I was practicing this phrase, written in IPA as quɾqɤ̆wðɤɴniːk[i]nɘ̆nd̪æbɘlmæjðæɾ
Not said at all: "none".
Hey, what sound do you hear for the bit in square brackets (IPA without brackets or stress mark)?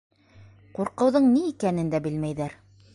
æ